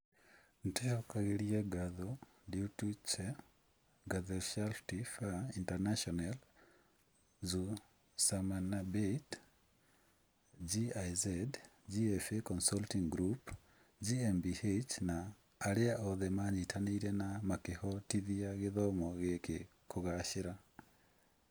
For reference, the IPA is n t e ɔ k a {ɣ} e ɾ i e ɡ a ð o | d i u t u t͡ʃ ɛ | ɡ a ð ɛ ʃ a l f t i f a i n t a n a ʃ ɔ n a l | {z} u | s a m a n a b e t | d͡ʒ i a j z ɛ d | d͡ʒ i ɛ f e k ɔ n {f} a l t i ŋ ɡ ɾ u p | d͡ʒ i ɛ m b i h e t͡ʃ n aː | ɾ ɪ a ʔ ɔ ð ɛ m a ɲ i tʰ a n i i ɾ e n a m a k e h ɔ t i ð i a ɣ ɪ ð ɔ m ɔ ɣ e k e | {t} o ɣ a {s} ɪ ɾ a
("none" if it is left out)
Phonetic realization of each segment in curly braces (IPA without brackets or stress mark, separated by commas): ɣ, z, s, k, ʃ